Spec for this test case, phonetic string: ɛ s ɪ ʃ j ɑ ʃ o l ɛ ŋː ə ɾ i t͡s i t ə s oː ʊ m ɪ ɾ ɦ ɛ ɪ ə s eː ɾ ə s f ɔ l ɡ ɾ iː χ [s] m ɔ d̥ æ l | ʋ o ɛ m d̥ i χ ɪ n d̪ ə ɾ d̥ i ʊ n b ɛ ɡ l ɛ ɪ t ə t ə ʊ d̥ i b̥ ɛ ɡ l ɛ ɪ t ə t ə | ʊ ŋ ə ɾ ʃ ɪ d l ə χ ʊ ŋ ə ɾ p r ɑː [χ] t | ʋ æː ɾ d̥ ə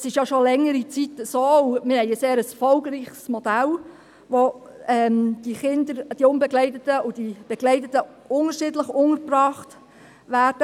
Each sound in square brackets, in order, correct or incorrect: correct, correct

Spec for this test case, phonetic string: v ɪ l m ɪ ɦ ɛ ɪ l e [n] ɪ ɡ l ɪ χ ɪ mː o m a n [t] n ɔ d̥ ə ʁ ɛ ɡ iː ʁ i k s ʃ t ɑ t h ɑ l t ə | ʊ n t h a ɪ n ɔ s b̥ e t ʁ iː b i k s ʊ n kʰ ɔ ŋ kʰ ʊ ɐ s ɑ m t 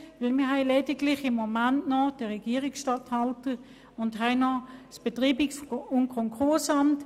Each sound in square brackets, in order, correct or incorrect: incorrect: d, correct

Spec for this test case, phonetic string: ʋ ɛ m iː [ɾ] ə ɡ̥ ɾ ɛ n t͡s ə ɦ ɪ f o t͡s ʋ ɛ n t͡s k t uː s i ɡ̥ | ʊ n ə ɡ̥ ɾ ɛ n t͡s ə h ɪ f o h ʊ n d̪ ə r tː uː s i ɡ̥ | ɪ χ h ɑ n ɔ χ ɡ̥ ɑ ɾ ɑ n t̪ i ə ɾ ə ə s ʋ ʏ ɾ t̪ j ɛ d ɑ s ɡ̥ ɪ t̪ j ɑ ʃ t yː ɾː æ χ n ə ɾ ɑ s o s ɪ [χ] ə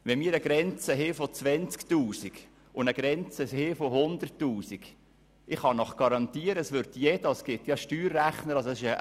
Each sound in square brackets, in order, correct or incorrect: correct, incorrect: ʃ

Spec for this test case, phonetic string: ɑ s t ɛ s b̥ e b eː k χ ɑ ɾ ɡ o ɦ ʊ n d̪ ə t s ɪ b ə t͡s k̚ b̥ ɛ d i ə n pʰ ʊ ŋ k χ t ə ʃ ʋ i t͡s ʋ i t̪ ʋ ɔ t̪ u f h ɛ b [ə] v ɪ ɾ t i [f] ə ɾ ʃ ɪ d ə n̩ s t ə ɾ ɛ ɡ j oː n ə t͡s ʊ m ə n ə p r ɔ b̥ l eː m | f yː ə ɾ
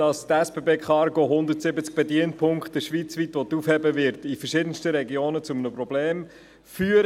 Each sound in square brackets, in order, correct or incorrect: correct, correct

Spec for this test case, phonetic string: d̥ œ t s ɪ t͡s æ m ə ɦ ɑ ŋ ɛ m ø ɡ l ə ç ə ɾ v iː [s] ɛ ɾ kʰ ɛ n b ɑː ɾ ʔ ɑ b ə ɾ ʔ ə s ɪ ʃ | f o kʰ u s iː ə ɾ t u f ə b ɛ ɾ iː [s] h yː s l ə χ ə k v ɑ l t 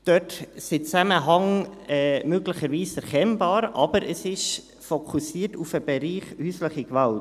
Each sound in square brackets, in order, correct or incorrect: correct, incorrect: χ

